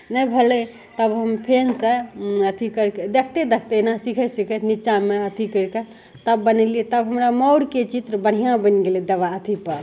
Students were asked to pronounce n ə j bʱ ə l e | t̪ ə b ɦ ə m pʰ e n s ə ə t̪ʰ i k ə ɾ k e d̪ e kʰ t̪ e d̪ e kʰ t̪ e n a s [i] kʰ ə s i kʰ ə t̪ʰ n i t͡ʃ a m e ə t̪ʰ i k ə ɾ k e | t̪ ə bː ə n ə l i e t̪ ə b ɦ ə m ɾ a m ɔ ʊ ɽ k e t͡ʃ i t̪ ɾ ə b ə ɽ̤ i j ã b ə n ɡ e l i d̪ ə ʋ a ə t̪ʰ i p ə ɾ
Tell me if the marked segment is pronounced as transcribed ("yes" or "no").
yes